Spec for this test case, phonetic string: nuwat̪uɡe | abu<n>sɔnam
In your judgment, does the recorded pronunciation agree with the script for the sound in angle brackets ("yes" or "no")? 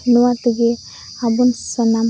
yes